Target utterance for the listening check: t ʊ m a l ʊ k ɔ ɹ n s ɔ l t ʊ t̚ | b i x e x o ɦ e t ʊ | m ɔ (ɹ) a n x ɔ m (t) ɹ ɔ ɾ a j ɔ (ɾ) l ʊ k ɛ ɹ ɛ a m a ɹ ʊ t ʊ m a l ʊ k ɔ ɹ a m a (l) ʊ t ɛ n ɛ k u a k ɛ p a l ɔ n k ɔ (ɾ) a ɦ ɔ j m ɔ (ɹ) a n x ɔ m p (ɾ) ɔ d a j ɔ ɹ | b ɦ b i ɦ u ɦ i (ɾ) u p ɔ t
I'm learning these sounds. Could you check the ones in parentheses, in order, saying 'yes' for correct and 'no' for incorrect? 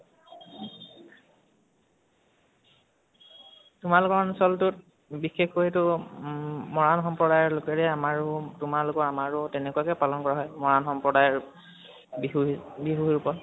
yes, no, no, no, no, yes, no, no

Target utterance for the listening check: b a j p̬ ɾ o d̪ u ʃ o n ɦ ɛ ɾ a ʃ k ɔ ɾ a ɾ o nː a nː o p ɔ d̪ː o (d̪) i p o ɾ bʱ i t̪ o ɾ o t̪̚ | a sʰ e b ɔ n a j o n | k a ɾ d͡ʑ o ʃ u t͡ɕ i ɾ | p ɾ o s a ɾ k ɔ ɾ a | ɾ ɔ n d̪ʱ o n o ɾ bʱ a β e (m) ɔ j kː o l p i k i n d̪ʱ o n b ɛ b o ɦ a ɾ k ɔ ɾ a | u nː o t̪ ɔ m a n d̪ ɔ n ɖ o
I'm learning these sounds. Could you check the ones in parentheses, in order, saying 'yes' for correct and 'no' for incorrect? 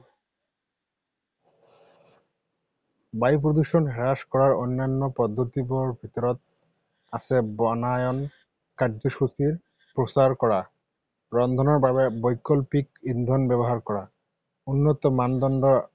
no, no

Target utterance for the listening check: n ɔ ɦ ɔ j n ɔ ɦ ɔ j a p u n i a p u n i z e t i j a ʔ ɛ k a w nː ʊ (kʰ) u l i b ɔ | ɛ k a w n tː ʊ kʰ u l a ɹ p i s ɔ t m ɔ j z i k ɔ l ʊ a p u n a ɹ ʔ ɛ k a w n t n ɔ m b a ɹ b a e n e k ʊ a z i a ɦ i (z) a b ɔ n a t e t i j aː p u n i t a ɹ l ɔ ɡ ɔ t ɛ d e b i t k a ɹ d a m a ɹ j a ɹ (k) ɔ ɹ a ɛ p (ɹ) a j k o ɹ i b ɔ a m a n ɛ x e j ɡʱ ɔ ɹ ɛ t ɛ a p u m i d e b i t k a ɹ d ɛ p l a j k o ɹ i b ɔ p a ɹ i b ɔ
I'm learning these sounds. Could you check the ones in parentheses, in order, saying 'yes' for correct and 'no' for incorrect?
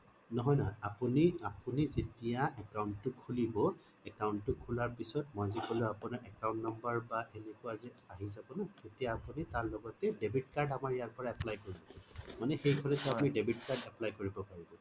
yes, yes, no, no

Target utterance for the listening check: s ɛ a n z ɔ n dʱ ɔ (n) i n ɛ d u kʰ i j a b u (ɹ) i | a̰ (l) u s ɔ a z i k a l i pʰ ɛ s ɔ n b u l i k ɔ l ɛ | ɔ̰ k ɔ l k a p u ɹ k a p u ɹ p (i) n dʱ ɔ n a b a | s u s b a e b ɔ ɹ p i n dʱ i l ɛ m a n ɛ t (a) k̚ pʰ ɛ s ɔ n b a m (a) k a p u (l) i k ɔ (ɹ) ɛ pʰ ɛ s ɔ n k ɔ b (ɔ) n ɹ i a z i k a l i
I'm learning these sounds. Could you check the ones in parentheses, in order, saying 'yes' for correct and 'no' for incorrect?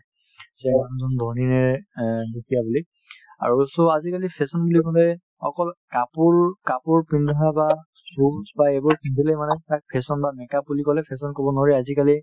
yes, no, no, yes, yes, no, yes, no, yes

